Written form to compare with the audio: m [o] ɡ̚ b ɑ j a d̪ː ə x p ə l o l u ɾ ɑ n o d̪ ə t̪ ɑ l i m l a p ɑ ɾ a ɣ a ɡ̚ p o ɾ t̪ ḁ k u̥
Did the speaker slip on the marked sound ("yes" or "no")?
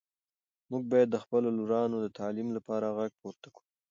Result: yes